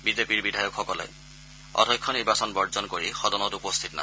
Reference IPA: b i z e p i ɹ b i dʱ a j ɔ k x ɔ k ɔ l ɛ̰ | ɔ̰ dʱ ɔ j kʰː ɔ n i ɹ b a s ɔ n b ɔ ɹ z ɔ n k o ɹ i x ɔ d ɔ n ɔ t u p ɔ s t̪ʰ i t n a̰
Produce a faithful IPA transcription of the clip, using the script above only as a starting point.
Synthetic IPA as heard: b i z e p i ɹ b i dʱ a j ɔ k x ɔ k ɔ l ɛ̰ | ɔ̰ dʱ ɔ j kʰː ɔ n i ɹ b a s ɔ n b ɔ ɹ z ɔ n k o ɹ i x ɔ d ɔ n ɔ t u p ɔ s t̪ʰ i t n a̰